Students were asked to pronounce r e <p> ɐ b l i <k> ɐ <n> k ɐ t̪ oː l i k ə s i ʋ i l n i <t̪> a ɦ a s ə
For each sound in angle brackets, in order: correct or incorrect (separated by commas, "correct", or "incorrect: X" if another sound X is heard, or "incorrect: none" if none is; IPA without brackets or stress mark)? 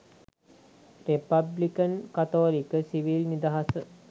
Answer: correct, correct, correct, incorrect: d̪